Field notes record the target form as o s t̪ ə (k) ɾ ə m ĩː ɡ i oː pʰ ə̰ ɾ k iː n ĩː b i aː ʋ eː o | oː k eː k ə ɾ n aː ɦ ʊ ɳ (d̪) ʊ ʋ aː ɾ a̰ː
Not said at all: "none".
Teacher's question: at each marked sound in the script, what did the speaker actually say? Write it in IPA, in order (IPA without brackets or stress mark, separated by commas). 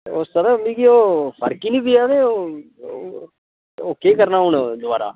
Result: none, d̪